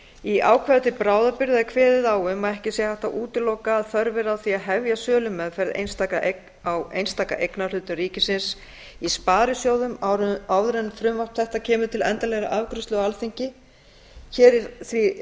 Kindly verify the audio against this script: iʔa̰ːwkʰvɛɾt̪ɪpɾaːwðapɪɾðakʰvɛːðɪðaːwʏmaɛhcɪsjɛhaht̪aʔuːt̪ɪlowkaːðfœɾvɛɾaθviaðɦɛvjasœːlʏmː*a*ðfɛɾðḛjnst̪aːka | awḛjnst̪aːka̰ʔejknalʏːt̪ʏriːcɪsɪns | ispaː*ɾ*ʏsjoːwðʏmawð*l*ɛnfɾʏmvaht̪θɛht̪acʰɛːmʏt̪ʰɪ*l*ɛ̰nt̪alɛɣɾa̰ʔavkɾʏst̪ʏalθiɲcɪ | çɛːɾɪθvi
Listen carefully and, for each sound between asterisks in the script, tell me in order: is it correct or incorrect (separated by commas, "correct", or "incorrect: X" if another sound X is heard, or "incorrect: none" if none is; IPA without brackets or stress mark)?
incorrect: ɛ, correct, incorrect: ɾ, correct